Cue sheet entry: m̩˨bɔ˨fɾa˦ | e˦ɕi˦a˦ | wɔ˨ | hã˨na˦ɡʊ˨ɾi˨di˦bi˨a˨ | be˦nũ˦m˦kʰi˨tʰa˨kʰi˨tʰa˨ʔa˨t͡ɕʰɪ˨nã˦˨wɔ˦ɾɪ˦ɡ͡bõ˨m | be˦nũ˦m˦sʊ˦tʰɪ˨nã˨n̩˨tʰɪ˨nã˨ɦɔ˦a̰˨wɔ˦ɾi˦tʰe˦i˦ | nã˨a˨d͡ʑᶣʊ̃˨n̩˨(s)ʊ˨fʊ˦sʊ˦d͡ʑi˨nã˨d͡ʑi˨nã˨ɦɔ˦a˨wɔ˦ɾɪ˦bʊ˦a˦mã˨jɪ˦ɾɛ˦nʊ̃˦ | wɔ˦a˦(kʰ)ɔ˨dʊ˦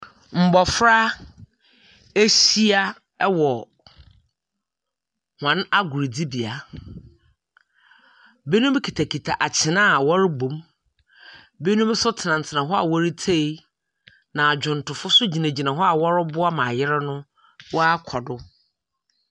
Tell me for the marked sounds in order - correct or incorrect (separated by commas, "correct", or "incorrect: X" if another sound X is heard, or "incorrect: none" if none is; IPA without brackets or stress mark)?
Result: incorrect: t, correct